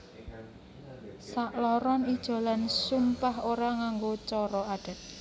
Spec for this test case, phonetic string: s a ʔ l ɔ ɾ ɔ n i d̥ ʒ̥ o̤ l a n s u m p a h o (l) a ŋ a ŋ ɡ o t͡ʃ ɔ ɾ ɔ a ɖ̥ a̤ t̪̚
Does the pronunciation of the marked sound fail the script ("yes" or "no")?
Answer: yes